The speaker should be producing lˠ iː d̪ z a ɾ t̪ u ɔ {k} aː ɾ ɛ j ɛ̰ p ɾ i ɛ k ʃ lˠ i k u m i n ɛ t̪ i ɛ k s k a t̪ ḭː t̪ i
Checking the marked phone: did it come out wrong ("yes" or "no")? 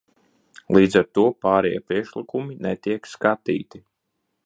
yes